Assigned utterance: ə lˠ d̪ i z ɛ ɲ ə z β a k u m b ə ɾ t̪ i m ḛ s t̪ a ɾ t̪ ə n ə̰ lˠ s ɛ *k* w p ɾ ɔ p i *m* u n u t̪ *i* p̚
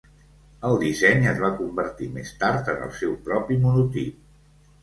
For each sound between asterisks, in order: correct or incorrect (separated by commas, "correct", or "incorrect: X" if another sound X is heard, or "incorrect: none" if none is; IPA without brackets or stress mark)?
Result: incorrect: none, correct, correct